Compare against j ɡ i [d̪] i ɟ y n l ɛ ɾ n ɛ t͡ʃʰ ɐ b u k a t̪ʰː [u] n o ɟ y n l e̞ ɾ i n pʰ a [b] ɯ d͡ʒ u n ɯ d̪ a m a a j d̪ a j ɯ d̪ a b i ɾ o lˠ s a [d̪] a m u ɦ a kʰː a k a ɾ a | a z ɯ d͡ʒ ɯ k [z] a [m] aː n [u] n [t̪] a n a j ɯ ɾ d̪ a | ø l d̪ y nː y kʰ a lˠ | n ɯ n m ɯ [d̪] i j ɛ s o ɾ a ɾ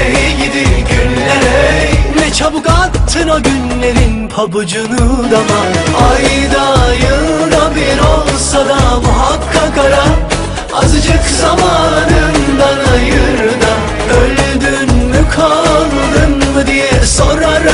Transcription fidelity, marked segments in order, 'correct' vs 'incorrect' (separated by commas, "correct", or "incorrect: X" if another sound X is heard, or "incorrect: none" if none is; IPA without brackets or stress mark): correct, incorrect: ɯ, correct, correct, correct, correct, incorrect: ɯ, incorrect: d̪, correct